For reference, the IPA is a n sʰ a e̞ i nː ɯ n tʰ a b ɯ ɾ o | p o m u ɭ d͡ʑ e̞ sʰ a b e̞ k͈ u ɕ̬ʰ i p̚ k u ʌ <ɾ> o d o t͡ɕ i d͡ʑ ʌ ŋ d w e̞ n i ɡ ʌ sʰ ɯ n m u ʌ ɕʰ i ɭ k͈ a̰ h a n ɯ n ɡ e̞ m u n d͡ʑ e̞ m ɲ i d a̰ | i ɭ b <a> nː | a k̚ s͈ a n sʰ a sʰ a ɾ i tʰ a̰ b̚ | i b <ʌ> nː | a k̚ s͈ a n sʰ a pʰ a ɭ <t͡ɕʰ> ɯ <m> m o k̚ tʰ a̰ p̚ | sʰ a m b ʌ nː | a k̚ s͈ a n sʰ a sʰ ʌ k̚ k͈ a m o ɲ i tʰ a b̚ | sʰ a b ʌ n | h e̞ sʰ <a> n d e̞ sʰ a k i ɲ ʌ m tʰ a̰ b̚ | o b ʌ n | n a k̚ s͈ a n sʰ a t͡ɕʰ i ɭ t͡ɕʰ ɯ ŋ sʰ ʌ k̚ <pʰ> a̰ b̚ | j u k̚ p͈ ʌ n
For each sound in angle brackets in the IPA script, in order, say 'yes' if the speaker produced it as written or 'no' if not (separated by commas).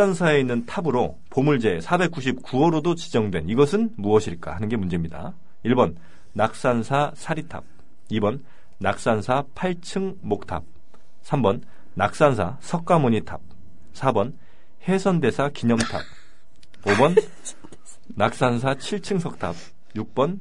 yes, no, yes, yes, no, no, no